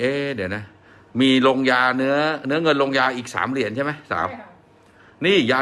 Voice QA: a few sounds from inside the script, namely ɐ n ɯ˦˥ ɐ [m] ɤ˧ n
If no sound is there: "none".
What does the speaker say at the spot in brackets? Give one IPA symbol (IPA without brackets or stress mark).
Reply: ŋ